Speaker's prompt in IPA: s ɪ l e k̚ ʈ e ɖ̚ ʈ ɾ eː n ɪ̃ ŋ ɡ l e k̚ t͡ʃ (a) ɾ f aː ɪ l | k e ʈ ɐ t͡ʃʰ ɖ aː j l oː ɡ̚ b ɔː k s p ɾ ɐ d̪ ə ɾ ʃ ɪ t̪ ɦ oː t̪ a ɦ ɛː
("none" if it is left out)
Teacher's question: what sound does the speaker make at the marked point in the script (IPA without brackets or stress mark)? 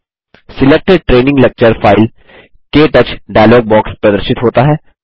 ə